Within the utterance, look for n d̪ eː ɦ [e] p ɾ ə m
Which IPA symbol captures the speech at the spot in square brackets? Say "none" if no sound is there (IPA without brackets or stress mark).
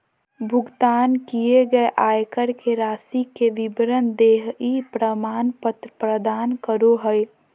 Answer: i